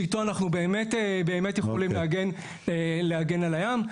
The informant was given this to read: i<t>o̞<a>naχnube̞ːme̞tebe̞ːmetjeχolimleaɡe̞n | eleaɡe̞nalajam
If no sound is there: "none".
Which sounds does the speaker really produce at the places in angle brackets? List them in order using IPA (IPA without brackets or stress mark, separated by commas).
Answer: t, a